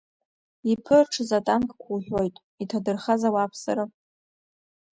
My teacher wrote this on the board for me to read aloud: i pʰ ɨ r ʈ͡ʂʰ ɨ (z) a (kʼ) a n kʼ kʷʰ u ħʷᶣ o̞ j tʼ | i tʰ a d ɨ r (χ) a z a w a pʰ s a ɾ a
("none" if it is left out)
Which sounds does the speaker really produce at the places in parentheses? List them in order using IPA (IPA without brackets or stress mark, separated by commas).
z, tʼ, χ